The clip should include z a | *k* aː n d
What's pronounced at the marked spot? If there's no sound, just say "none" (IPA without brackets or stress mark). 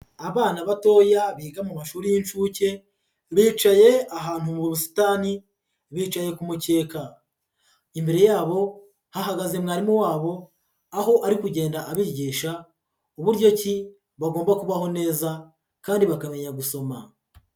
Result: k